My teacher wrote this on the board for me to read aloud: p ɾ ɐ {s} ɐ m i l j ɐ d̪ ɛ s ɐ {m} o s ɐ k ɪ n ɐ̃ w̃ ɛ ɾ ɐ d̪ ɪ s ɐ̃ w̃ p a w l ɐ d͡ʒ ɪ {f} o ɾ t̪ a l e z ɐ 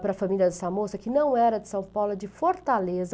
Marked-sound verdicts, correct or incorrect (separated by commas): incorrect, correct, correct